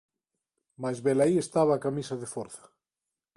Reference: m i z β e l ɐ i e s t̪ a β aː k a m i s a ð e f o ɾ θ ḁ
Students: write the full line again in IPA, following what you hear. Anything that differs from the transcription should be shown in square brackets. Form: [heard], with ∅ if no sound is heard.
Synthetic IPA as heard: m [a] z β e l [a] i e s t̪ a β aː k a m i s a ð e f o ɾ θ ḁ